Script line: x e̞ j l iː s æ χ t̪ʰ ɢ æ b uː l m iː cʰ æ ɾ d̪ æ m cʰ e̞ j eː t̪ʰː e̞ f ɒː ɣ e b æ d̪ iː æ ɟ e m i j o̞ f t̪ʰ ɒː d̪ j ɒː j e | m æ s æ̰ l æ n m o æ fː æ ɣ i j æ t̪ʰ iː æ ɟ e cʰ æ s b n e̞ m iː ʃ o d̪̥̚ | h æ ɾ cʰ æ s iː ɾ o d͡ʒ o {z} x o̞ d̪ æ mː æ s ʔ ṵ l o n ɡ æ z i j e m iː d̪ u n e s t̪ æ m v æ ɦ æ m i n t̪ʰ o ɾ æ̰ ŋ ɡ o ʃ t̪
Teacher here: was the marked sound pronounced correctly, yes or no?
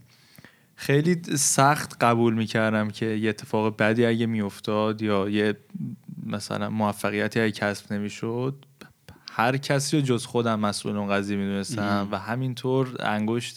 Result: yes